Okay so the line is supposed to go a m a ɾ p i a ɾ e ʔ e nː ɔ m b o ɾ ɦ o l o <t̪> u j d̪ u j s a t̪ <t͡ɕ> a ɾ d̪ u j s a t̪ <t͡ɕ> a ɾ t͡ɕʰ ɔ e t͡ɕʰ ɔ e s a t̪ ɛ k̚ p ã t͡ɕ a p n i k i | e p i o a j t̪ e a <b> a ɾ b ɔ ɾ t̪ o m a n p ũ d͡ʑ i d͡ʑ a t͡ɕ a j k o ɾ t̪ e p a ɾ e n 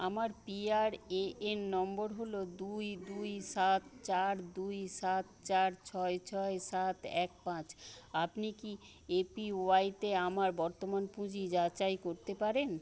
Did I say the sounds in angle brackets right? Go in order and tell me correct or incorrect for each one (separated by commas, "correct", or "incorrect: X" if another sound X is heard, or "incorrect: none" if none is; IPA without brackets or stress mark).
incorrect: d̪, correct, correct, incorrect: m